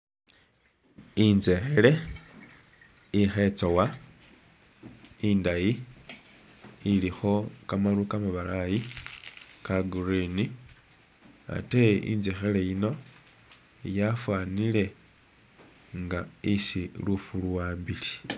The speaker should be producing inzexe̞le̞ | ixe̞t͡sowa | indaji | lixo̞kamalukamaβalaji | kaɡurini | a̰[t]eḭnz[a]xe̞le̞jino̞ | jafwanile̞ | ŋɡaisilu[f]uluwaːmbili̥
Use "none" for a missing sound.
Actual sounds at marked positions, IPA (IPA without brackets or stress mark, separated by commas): t, e, f